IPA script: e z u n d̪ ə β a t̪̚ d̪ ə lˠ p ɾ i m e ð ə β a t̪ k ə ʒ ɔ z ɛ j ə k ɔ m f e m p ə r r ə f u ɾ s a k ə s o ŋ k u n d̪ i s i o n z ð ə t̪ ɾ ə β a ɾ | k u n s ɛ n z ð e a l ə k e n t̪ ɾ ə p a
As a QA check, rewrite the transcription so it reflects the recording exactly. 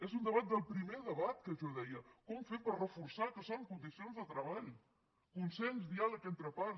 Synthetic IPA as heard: e z u n d̪ ə β a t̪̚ d̪ ə lˠ p ɾ i m e ð ə β a t̪ k ə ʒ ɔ ð ɛ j ə k ɔ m f e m p ə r r ə f u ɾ s a k ə s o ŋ k u n d̪ i s i o n z ð ə t̪ ɾ ə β a ʎ | k u n s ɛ n z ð i a l ə k e n t̪ ɾ ə p a